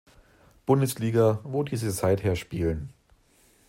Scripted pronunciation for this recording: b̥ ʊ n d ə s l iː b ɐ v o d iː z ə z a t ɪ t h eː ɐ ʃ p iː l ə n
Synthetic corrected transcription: b̥ ʊ n d ə s l iː ɡ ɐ v o d iː z ə z a ɪ t h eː ɐ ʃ p iː l ə n